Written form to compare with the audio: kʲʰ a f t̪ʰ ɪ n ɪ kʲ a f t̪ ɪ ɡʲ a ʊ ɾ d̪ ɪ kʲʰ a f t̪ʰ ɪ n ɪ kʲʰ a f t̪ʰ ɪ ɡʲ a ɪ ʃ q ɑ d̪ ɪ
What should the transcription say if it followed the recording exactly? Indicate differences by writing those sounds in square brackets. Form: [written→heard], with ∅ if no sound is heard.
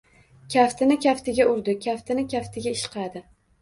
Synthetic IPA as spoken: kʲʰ a f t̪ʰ ɪ n ɪ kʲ a f t̪ ɪ ɡʲ a ʊ ɾ d̪ ɪ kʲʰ a f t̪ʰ ɪ n ɪ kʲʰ a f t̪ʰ ɪ ɡʲ a ɪ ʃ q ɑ d̪ ɪ